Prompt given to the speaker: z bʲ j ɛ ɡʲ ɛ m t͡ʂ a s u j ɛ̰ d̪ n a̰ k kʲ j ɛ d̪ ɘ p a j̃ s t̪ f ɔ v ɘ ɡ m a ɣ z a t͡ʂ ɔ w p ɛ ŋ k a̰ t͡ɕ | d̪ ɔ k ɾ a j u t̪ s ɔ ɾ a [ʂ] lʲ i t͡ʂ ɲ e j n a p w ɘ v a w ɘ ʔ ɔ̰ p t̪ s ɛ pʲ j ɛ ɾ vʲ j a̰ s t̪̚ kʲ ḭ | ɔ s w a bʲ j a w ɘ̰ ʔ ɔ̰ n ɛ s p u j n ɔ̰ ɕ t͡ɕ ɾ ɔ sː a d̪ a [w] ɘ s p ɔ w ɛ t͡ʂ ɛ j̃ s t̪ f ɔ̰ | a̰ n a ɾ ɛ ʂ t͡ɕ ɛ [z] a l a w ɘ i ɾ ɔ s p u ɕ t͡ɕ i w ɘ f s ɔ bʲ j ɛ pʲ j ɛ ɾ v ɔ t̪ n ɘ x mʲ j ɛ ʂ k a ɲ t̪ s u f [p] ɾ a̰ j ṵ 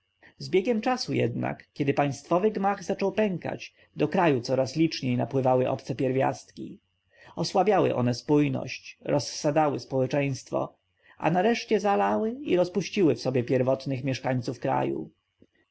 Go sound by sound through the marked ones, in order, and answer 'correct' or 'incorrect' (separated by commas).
incorrect, correct, correct, incorrect